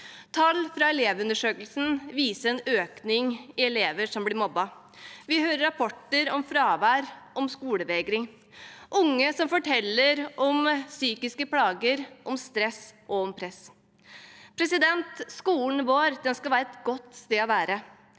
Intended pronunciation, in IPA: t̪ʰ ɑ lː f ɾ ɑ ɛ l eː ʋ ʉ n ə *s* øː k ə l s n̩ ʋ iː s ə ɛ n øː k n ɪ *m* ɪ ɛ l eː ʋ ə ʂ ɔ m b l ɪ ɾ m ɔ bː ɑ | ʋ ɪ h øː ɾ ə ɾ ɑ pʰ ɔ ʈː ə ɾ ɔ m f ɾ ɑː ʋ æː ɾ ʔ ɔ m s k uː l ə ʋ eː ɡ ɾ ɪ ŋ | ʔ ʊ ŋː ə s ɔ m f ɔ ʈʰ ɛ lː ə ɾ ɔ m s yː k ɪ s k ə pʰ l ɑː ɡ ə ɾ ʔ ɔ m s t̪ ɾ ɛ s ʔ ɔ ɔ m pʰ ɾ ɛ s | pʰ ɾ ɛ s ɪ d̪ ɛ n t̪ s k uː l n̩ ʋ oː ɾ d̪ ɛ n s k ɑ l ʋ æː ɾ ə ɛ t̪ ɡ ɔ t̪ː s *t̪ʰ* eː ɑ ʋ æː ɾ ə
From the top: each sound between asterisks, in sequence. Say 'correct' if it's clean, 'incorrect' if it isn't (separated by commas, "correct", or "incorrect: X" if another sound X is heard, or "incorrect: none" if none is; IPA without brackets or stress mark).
incorrect: ʂ, incorrect: ŋ, incorrect: t̪